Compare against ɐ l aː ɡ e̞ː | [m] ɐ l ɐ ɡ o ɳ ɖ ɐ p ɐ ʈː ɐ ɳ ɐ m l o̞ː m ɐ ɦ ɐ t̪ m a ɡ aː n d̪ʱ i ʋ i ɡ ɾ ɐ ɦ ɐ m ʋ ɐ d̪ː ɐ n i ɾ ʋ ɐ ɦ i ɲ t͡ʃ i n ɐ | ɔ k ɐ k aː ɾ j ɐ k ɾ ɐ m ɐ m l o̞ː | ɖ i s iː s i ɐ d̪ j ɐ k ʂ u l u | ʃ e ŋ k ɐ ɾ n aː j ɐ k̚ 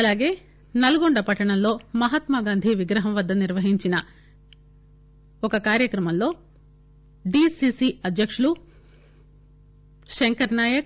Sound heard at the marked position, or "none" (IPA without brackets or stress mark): n